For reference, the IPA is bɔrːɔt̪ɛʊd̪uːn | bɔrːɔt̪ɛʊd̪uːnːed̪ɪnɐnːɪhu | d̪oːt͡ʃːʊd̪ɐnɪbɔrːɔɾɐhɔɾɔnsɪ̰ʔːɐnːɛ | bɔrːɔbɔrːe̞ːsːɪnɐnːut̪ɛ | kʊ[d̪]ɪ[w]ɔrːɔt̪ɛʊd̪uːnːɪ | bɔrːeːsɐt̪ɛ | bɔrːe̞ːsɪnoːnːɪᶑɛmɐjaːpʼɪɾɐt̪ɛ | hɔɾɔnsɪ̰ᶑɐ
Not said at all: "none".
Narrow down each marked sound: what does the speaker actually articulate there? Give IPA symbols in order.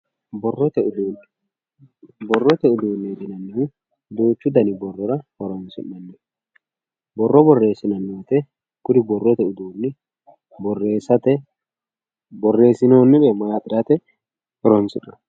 d̪, b

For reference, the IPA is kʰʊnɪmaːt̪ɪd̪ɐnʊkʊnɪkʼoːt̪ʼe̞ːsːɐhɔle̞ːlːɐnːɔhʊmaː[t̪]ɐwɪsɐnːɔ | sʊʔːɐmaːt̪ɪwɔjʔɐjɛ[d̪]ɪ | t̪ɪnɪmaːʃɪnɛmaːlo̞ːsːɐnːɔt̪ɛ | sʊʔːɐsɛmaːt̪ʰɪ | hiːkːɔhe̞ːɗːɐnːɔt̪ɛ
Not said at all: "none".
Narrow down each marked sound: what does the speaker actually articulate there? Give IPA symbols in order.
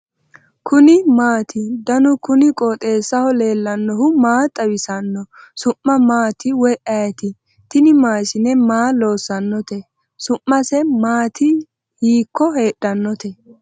t̪ʼ, t̪

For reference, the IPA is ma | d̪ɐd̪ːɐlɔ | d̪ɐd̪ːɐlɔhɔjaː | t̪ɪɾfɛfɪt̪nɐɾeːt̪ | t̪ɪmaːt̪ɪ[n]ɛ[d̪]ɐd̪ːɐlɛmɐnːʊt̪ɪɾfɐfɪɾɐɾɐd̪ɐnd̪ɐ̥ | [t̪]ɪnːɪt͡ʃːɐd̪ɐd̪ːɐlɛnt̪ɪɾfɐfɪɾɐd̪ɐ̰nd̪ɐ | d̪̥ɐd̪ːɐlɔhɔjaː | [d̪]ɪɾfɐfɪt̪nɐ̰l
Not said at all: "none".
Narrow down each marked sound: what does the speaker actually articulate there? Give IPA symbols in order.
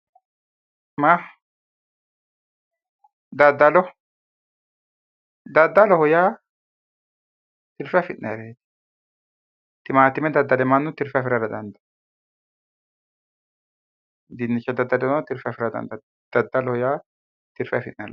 m, d̪, d̪, t̪

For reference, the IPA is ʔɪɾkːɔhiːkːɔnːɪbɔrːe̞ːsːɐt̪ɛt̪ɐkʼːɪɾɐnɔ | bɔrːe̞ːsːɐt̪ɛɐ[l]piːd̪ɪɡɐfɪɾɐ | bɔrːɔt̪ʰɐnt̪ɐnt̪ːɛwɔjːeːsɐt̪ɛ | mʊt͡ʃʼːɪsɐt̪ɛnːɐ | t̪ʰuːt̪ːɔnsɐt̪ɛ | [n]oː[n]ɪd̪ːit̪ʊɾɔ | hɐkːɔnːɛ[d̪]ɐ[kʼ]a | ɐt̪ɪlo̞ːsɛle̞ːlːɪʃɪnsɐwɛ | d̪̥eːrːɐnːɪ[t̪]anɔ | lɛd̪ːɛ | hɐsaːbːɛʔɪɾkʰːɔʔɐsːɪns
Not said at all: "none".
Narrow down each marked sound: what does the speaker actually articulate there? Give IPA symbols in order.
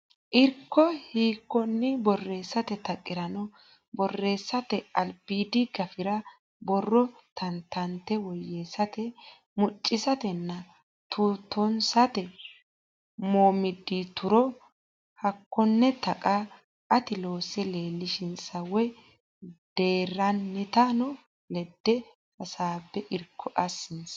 l, m, m, t̪, kʼ, t̪

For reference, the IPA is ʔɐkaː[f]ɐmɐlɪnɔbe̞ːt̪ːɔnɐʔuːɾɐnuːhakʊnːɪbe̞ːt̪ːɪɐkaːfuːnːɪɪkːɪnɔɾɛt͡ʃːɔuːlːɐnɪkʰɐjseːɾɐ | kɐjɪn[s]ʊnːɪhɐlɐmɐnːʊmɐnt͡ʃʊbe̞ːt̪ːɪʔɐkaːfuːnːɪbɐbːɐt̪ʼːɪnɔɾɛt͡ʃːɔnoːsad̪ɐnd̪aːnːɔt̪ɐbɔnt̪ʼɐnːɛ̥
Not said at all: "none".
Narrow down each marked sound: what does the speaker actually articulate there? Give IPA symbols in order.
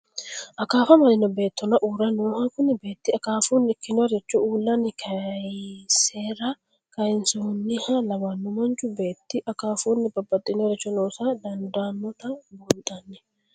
f, s

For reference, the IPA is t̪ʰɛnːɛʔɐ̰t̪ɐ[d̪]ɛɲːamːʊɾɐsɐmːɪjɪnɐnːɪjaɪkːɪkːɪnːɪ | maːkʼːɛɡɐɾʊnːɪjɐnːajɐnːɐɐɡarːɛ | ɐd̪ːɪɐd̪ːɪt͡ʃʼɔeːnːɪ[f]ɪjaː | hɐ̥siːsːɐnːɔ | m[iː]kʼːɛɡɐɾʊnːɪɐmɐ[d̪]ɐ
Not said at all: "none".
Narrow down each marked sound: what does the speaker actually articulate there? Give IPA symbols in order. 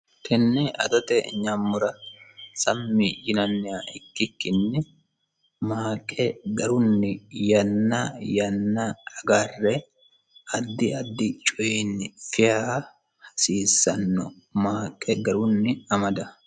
t̪, f, aː, d̪

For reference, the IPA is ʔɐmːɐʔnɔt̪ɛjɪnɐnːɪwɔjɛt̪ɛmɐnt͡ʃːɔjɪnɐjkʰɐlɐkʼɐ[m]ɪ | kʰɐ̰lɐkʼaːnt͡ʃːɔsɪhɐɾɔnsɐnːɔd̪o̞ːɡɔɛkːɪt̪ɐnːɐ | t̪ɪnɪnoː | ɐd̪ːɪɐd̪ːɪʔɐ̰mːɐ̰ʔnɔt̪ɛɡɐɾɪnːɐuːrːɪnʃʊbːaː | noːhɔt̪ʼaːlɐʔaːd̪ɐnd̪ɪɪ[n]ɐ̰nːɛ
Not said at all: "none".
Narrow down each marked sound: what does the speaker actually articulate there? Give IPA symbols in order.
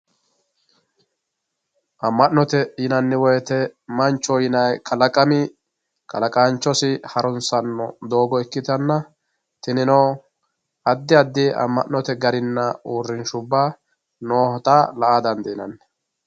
m, n

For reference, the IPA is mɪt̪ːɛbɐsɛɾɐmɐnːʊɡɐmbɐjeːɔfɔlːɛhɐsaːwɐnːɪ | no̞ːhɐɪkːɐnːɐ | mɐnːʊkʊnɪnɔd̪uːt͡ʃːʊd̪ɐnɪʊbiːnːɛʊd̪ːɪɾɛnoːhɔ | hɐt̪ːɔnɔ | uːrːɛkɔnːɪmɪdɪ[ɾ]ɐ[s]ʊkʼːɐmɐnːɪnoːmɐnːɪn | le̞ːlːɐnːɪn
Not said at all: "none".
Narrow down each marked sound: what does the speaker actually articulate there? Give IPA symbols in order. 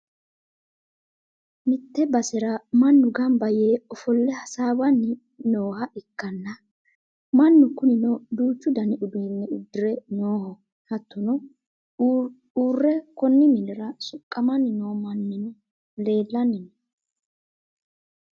ɾ, s

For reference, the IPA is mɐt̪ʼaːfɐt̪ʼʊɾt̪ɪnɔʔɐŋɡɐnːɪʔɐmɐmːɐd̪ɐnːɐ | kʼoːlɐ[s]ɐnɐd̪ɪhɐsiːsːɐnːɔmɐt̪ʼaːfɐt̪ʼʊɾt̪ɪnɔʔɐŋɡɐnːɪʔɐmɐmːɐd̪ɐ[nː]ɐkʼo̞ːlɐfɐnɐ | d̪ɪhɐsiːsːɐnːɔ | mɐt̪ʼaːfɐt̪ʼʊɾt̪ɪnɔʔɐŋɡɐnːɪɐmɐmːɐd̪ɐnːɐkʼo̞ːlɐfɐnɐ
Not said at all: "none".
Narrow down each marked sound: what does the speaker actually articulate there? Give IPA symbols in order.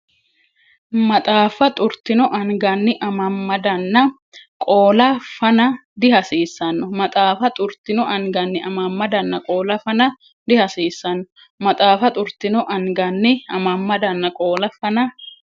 f, nː

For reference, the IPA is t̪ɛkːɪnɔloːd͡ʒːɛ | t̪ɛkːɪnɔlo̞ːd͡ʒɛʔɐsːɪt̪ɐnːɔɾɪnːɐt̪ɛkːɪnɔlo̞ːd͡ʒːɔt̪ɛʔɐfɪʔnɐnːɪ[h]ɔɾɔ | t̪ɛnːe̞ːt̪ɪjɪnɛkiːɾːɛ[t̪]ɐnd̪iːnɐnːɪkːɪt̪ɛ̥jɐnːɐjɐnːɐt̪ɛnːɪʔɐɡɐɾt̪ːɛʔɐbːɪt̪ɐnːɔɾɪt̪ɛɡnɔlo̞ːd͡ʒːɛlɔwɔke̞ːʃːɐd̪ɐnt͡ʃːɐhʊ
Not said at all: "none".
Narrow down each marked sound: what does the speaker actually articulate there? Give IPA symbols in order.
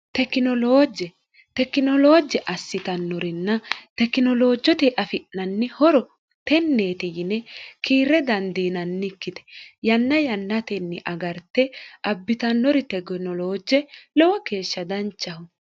h, d̪

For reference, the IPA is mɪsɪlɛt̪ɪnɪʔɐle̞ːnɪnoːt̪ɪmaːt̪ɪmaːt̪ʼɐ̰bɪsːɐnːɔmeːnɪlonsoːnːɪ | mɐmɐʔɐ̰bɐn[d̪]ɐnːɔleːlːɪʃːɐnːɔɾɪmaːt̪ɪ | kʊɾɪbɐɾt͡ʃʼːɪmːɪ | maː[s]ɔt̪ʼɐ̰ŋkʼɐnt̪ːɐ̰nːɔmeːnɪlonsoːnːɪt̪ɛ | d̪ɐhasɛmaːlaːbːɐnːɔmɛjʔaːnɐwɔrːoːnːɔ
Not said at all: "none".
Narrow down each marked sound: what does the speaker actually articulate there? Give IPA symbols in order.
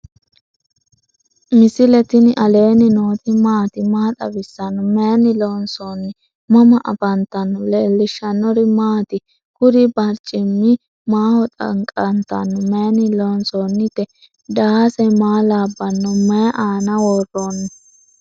t̪, h

